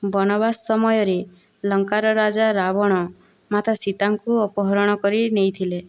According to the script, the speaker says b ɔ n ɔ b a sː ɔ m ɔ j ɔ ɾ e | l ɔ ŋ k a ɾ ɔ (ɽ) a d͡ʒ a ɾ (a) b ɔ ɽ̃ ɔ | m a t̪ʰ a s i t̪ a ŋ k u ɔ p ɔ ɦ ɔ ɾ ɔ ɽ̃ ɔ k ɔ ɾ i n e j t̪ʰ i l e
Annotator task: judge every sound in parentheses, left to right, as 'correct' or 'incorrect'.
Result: incorrect: ɾ, correct

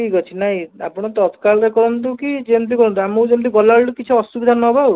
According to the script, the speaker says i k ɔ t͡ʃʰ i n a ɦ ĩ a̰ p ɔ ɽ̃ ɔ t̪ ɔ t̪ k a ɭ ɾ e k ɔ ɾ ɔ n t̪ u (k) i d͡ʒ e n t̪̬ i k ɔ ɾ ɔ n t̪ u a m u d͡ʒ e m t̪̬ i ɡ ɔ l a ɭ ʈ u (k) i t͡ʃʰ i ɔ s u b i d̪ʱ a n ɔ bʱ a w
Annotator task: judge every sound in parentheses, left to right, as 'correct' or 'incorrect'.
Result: correct, correct

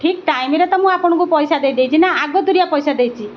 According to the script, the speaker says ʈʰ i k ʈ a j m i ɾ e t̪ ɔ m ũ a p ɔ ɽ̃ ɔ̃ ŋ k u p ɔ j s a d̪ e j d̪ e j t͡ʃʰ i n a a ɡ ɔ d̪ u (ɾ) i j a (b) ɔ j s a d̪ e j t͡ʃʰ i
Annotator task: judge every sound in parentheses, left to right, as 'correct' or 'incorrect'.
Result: correct, incorrect: p

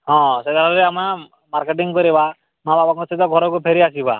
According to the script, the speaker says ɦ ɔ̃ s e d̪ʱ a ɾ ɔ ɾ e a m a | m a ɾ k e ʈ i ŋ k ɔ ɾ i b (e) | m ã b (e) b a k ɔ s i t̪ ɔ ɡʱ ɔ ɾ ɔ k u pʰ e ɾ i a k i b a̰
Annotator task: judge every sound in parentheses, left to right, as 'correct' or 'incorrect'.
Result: incorrect: a, incorrect: a

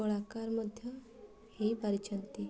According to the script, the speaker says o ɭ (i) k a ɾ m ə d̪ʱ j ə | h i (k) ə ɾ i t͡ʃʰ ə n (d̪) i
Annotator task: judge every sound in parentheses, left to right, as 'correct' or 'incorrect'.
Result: incorrect: a, incorrect: p, incorrect: t̪

